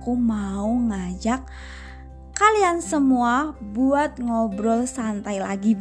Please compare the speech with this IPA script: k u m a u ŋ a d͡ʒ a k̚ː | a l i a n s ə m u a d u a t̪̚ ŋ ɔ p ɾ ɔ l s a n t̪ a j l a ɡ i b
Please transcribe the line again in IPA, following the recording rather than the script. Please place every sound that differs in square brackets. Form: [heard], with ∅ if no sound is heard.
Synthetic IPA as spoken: k u m a u ŋ a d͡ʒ a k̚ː | a l i a n s ə m u a [b] u a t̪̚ ŋ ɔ [b] ɾ ɔ l s a n t̪ a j l a ɡ i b